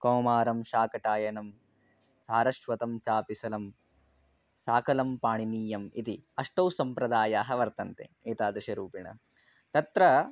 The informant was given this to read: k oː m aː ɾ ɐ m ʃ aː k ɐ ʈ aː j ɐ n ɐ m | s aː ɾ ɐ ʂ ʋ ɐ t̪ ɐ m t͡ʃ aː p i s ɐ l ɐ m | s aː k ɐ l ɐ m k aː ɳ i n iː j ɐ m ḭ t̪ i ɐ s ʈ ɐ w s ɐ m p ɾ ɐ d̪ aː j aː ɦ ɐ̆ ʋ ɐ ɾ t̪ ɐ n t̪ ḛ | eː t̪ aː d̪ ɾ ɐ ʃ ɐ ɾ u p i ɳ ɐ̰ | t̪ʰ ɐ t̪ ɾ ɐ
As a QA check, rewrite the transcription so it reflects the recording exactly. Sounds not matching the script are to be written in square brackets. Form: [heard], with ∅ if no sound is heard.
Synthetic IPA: k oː m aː ɾ ɐ m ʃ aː k ɐ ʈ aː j ɐ n ɐ m | s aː ɾ ɐ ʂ ʋ ɐ t̪ ɐ m t͡ʃ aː p i s ɐ l ɐ m | s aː k ɐ l ɐ m [p] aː ɳ i n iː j ɐ m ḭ t̪ i ɐ [ʂ] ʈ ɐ w s ɐ m p ɾ ɐ d̪ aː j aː ɦ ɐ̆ ʋ ɐ ɾ t̪ ɐ n t̪ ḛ | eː t̪ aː d̪ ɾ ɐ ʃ ɐ ɾ [uː] p i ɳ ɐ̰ | [t̪] ɐ t̪ ɾ ɐ